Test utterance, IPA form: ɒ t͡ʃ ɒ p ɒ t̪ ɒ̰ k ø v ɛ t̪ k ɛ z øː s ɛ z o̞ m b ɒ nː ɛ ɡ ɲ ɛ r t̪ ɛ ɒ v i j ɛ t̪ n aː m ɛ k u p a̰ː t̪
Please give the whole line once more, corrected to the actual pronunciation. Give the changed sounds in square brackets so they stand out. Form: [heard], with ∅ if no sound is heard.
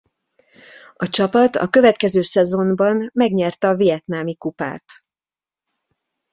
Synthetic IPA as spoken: ɒ t͡ʃ ɒ p ɒ t̪ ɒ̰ k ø v ɛ t̪ k ɛ z øː s ɛ z o̞ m b ɒ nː ɛ ɡ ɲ ɛ r t̪ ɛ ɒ v i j ɛ t̪ n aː m [i] k u p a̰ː t̪